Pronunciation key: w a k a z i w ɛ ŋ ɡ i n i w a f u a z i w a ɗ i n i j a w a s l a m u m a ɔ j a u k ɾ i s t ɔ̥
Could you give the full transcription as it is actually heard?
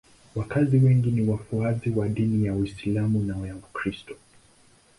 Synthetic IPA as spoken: w a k a z i w ɛ ŋ ɡ i n i w a f u a z i w a ɗ i n i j a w i s l a m u n a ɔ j a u k ɾ i s t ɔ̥